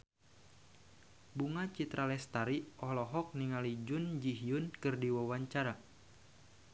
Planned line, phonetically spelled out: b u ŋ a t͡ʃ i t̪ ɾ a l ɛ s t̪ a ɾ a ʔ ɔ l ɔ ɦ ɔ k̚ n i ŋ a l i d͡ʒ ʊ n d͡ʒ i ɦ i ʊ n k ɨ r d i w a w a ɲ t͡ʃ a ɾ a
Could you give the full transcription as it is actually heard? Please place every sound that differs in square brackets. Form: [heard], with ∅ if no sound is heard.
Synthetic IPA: b u ŋ a t͡ʃ i t̪ ɾ a l ɛ s t̪ a ɾ [i] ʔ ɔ l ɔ ɦ ɔ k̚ n i ŋ a l i d͡ʒ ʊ n d͡ʒ i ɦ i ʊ n k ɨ r d i w a w a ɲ t͡ʃ a ɾ a